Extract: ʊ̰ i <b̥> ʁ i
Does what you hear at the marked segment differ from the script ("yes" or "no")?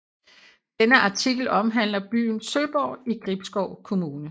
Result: yes